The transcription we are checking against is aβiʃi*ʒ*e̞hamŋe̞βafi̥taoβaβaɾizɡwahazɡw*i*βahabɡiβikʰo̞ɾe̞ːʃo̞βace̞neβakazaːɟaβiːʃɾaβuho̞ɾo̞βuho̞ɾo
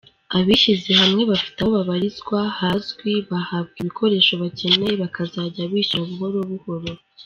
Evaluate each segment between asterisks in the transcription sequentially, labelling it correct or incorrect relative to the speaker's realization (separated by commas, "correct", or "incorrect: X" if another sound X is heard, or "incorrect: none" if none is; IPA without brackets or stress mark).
incorrect: z, correct